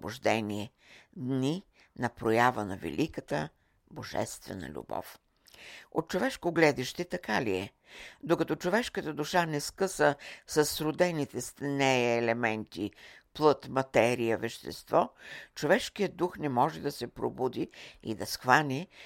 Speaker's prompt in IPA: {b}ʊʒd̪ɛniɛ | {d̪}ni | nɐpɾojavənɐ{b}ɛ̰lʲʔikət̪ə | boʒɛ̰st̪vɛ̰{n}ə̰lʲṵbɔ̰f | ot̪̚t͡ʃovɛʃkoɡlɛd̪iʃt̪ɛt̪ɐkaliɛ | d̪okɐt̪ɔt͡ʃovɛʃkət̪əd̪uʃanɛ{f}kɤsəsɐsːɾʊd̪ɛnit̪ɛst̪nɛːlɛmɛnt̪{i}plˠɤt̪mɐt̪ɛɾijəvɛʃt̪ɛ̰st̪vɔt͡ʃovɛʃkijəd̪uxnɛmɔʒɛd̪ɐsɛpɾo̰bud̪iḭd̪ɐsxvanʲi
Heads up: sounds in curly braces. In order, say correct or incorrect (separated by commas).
correct, correct, incorrect, correct, incorrect, correct